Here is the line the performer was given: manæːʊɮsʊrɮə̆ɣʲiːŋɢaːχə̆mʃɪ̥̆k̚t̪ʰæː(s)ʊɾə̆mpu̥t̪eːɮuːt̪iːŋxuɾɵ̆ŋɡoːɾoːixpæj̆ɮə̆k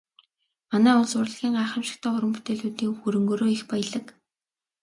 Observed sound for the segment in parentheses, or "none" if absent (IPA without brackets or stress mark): χ